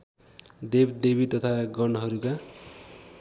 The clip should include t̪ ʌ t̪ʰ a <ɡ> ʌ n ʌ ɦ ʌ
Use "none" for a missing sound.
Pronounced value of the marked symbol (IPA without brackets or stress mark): ɡ